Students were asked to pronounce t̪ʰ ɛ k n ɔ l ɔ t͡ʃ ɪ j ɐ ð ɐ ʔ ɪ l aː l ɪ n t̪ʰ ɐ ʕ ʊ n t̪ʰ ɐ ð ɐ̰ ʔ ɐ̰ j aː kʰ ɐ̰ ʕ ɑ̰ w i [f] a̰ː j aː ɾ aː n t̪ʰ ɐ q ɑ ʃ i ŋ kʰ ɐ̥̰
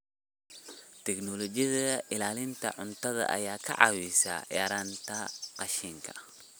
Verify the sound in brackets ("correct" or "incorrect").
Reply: incorrect